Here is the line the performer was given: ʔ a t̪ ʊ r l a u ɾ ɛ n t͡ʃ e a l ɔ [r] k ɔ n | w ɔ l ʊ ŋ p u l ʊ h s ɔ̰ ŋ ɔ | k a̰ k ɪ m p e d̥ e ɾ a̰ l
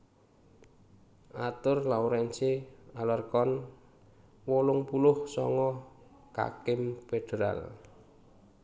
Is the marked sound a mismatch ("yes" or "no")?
no